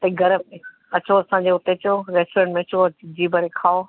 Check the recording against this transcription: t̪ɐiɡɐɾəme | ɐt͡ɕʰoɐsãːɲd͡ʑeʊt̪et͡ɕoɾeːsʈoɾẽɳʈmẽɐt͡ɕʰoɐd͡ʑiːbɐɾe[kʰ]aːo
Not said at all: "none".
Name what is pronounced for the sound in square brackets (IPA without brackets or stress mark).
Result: kʰ